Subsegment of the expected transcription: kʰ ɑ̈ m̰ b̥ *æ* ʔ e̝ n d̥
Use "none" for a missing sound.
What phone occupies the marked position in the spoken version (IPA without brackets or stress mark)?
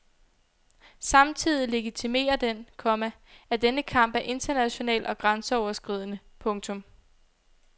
æ